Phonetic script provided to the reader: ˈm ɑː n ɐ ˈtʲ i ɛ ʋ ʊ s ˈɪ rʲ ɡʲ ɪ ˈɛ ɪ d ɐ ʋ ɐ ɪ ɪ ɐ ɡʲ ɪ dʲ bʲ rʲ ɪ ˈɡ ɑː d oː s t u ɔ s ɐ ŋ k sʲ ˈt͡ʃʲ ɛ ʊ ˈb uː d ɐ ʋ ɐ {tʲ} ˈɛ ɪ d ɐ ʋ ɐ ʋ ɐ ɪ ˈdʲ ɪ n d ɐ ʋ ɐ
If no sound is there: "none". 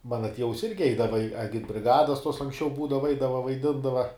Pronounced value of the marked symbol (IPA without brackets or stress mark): none